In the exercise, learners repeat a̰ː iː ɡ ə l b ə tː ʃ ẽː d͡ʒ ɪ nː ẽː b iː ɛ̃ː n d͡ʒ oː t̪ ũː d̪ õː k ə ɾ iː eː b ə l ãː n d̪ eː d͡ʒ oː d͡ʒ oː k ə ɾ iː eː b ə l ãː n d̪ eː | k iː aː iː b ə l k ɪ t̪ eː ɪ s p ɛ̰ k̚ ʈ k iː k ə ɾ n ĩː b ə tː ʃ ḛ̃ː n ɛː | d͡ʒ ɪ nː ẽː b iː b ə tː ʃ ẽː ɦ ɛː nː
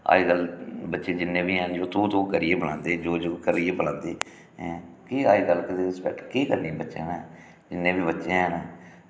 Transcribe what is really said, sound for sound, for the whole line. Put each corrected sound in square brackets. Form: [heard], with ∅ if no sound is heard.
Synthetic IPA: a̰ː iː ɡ ə l b ə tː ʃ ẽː d͡ʒ ɪ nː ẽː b iː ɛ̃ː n d͡ʒ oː t̪ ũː [t̪] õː k ə ɾ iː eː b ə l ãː n d̪ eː d͡ʒ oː d͡ʒ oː k ə ɾ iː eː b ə l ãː n d̪ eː | k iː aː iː [ɡ] ə l k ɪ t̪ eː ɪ s p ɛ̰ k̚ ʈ k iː k ə ɾ n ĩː b ə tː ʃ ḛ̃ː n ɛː | d͡ʒ ɪ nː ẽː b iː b ə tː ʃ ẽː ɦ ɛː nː